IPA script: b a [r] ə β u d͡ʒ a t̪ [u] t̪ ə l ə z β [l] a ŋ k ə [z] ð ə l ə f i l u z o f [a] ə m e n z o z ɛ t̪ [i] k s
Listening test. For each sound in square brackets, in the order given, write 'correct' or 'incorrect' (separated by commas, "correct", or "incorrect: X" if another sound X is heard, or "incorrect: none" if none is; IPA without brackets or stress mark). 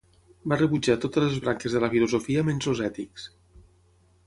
correct, incorrect: o, incorrect: ɾ, correct, incorrect: i, correct